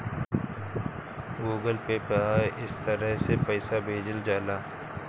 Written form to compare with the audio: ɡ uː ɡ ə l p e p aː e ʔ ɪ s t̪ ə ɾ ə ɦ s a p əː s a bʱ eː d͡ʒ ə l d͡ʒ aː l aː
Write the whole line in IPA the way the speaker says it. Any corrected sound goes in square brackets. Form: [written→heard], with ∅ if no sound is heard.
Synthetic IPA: ɡ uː ɡ ə l p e p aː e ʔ ɪ s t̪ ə ɾ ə ɦ s [a→e] p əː s a bʱ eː d͡ʒ ə l d͡ʒ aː l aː